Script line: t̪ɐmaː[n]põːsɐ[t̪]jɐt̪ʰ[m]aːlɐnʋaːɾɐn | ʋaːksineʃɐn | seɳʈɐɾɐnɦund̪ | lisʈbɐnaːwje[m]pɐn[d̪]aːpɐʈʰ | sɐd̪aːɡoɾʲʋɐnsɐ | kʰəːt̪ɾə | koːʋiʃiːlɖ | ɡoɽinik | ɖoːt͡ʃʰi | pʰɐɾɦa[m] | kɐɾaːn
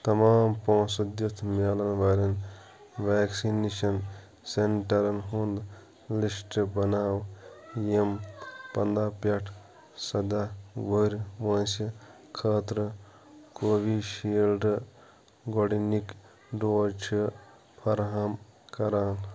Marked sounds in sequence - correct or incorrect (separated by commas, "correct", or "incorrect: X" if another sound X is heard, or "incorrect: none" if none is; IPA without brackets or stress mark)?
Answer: incorrect: m, incorrect: d̪, correct, correct, correct, correct